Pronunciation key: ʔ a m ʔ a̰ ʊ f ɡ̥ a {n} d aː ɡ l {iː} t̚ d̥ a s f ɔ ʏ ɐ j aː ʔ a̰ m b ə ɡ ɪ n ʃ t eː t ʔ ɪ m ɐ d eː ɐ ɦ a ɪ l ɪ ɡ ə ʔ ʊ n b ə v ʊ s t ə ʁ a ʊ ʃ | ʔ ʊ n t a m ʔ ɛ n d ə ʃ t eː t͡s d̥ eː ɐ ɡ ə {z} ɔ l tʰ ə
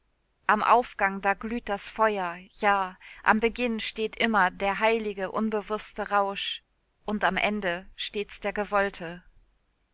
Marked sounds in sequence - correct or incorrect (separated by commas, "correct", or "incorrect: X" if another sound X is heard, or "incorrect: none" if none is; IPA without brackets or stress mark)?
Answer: incorrect: ŋ, incorrect: yː, incorrect: v